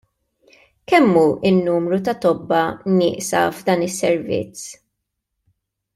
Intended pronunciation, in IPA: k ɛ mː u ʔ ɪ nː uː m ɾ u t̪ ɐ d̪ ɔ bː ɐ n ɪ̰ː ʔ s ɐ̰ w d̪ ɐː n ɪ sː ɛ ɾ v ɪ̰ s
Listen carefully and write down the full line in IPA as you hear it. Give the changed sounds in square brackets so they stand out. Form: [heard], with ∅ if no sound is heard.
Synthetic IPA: k ɛ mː u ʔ ɪ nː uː m ɾ u t̪ ɐ [t̪] ɔ bː ɐ n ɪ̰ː ʔ s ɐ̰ [v] d̪ ɐː n ɪ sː ɛ ɾ v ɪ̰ [t͡s]